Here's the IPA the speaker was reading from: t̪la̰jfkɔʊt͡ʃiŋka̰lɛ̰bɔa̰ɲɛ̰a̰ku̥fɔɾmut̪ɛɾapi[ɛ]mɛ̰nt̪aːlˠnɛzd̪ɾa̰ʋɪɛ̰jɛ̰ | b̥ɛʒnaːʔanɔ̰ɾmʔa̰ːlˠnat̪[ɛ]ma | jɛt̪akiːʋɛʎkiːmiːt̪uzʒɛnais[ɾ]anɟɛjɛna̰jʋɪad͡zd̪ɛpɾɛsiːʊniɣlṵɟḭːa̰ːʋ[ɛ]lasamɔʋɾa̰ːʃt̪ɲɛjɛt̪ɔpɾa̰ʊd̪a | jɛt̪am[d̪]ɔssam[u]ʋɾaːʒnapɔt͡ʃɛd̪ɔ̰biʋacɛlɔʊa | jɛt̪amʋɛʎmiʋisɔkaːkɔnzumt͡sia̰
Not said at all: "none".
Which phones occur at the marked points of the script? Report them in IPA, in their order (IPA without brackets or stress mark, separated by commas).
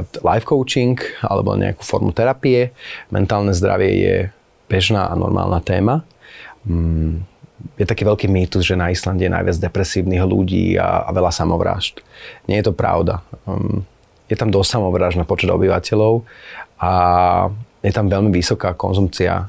ɛ, ɛː, l, ɛ, d̪, ɔ